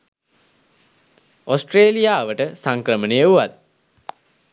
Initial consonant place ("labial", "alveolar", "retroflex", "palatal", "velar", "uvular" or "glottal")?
alveolar